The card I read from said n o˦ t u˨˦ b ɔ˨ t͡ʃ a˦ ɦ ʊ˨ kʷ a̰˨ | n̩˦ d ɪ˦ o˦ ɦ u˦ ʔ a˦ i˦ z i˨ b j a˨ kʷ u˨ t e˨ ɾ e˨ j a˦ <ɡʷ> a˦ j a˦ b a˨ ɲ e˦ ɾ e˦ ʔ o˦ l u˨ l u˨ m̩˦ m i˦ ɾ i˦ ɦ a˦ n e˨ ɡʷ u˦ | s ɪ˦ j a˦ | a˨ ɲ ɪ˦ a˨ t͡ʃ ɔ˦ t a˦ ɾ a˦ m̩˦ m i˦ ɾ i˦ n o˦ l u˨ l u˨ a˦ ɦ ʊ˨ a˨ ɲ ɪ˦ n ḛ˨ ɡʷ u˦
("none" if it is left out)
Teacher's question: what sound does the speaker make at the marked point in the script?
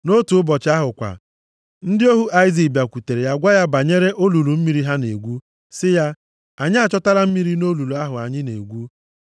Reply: ɡʷ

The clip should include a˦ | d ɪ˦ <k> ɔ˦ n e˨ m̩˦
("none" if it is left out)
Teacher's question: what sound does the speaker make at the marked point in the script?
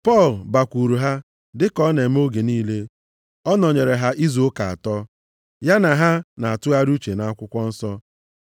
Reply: k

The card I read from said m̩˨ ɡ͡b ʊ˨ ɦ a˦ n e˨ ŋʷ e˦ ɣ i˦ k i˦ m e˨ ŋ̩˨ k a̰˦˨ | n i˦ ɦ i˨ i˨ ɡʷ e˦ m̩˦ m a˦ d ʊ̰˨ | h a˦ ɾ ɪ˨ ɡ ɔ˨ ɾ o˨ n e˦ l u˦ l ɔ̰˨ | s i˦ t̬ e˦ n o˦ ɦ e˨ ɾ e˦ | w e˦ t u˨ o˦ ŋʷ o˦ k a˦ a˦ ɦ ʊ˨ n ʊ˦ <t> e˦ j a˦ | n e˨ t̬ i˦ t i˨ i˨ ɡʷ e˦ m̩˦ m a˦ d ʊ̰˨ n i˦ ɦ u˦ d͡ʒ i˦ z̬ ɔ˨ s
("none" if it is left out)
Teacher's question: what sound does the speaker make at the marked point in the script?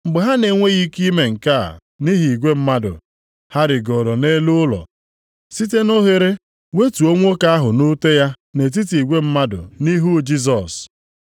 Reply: t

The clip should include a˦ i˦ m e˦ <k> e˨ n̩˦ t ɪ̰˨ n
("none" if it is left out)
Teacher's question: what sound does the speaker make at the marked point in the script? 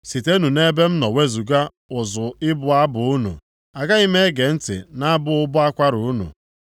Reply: ɡ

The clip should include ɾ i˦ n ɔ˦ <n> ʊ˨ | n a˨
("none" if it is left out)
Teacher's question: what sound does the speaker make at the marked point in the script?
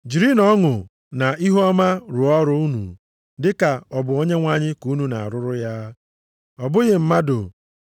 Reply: ŋ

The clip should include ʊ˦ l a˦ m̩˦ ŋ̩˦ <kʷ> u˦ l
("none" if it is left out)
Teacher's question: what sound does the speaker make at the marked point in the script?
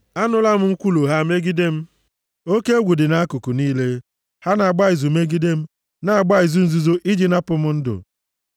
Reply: kʷ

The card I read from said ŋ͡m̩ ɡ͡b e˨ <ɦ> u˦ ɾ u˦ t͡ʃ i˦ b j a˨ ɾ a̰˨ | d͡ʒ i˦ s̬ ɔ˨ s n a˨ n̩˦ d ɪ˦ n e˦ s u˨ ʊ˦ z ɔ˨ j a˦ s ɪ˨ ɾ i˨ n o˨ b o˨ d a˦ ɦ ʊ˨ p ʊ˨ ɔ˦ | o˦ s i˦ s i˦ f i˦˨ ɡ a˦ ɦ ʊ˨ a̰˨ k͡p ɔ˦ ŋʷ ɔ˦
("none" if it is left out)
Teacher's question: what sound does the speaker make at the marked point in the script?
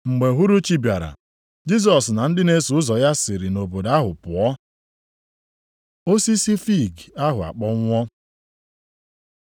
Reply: ɦ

